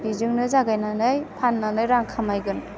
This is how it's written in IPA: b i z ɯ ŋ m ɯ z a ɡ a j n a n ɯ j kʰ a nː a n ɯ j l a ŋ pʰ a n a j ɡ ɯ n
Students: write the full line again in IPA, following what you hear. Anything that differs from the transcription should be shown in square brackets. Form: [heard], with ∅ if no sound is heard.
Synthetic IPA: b i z ɯ ŋ [n] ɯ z a ɡ a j n a n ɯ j [pʰ] a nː a n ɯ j [ɾ] a ŋ [kʰ] a [m] a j ɡ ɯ n